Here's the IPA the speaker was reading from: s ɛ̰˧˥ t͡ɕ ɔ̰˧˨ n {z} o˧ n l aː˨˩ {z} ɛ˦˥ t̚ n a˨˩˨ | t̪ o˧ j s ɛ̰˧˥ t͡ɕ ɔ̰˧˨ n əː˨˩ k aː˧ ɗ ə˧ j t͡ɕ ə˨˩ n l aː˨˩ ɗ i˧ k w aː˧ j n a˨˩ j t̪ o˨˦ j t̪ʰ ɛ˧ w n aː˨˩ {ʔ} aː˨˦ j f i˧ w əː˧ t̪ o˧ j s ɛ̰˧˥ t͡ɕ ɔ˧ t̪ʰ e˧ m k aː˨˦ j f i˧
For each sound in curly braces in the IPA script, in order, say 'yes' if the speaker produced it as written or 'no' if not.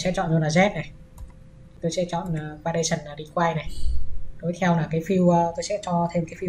yes, yes, no

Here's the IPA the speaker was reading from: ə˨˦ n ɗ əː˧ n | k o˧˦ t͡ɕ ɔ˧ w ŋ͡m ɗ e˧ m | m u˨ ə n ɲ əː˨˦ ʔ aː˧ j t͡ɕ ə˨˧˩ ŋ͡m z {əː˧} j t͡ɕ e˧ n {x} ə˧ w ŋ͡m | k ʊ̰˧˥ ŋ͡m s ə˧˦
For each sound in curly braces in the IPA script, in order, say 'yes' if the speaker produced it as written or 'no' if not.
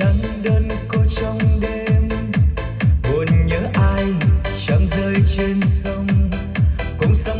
yes, no

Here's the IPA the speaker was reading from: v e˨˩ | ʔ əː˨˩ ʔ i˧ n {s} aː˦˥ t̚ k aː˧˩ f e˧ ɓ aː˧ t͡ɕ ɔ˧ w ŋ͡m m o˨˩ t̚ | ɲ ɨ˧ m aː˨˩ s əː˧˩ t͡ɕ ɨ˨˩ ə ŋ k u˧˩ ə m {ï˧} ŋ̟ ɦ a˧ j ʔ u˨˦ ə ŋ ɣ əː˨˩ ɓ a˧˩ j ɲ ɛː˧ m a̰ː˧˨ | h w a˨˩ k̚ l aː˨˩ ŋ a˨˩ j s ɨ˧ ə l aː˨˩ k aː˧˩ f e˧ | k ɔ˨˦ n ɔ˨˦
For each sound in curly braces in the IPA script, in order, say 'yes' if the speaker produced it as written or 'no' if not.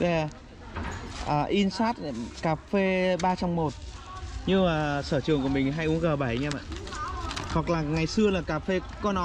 yes, no

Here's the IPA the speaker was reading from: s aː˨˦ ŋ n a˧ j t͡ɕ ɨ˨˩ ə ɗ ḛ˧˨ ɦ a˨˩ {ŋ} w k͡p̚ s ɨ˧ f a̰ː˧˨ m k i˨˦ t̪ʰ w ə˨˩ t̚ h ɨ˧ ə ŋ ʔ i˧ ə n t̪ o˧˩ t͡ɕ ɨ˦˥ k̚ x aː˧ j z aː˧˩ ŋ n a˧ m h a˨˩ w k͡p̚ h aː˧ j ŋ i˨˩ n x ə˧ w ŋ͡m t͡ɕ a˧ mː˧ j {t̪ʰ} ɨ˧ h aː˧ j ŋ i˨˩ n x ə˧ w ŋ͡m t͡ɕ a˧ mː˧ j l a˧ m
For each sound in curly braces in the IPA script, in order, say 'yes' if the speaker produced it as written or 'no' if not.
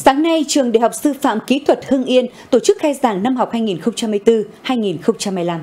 no, no

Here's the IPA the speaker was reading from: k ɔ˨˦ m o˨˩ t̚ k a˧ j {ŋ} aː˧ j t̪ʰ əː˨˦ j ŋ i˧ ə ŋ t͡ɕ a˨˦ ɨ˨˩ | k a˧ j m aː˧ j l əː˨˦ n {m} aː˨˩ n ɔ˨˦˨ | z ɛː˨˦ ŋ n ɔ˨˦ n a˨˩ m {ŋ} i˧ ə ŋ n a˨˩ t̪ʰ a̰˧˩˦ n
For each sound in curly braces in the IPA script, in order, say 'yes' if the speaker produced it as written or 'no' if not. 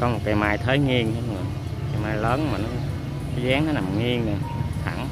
no, yes, yes

